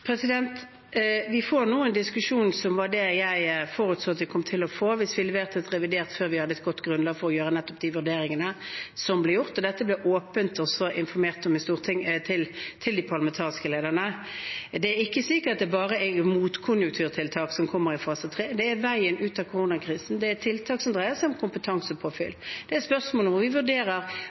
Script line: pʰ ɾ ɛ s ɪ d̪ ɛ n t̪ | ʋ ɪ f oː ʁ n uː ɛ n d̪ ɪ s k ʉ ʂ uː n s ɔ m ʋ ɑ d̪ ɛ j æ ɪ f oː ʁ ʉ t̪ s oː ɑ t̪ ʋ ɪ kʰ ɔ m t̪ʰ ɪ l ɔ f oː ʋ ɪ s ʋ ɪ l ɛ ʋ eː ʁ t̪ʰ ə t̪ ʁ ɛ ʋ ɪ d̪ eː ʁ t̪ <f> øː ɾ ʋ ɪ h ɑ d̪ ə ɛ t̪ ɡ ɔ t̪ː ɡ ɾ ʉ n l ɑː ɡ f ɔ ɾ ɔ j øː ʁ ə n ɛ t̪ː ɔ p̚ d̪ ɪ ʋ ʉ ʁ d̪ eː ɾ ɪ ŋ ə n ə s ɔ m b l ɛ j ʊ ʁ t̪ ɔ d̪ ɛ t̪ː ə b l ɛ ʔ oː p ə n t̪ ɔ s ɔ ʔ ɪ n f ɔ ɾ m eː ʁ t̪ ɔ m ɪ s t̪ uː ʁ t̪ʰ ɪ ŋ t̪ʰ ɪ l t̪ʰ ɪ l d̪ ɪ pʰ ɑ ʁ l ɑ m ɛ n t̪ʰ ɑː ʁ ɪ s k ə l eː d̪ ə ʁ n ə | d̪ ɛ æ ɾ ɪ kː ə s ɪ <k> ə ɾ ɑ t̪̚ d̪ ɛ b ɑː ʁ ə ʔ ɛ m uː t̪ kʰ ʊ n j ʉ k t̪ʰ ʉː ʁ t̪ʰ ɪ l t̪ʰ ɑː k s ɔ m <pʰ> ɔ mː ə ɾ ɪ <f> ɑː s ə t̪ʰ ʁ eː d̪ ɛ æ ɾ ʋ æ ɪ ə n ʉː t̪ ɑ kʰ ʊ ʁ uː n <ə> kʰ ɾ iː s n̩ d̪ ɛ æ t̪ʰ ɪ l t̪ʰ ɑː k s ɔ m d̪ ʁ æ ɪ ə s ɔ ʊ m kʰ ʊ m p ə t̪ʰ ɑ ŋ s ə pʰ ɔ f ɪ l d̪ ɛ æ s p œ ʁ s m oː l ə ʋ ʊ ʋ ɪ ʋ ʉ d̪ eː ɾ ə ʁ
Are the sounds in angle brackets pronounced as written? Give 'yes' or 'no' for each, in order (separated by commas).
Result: yes, yes, no, yes, no